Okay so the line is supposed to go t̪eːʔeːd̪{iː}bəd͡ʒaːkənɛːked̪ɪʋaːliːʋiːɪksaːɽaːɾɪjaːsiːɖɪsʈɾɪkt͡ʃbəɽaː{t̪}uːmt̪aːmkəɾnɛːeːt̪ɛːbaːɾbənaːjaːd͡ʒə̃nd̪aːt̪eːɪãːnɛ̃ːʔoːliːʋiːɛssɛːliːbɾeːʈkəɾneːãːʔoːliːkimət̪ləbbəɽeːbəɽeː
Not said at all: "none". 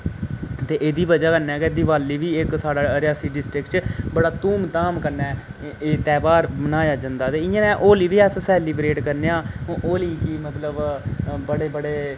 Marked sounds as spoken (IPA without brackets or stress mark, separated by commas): iː, t̪